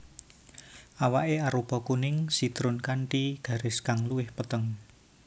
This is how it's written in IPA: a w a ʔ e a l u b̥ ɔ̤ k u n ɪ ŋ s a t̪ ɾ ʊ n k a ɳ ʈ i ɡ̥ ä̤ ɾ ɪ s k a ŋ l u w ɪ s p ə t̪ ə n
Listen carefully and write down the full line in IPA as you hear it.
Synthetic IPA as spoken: a w a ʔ e a ɾ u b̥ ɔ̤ k u n ɪ ŋ s i t̪ ɾ ʊ n k a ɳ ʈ i ɡ̥ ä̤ ɾ ɪ s k a ŋ l u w ɪ h p ə t̪ ə ŋ